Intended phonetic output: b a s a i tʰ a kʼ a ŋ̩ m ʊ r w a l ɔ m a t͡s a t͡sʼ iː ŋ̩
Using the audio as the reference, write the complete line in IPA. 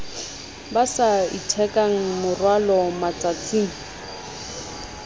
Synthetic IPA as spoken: b a s a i tʰ ɛ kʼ a ŋ̩ m ʊ r w a l ɔ m a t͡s a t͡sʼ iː ŋ̩